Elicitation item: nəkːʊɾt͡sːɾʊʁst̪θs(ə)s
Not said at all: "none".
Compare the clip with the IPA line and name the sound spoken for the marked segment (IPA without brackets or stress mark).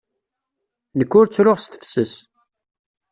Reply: ə